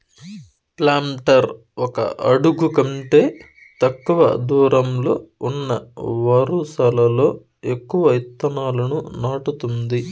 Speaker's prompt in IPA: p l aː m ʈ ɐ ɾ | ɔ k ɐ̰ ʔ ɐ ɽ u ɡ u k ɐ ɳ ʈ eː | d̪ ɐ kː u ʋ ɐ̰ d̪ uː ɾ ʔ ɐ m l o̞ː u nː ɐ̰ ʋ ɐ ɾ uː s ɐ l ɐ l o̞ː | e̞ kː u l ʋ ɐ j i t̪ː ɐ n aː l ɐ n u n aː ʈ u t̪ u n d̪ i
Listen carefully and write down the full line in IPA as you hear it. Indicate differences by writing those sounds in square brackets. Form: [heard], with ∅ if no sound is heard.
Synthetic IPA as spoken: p l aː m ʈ ɐ ɾ | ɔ k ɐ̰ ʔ ɐ ɽ u ɡ u k ɐ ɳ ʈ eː | [t̪] ɐ kː u ʋ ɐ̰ d̪ uː ɾ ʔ ɐ m l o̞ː u nː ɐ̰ ʋ ɐ ɾ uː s ɐ l ɐ l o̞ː | e̞ kː u [∅] ʋ ɐ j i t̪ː ɐ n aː l ɐ n u n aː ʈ u t̪ u n d̪ i